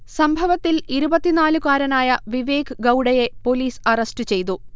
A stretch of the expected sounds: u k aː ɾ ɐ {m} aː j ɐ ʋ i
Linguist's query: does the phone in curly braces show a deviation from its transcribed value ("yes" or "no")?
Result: yes